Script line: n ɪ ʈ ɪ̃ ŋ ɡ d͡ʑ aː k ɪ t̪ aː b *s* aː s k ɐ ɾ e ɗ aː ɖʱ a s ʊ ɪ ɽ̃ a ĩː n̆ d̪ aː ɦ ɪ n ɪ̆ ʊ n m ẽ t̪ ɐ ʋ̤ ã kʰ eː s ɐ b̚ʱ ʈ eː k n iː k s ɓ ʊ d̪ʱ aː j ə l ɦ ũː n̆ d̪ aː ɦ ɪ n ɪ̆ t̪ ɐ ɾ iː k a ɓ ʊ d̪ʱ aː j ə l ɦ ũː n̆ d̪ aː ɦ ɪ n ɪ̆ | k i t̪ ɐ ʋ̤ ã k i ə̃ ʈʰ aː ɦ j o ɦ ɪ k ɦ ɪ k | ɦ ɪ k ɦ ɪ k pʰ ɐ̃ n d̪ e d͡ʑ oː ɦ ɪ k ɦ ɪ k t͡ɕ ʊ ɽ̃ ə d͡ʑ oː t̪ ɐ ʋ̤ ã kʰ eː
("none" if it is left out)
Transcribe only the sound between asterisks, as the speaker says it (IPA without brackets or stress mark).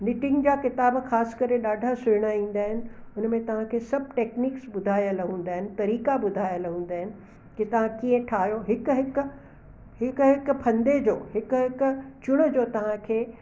x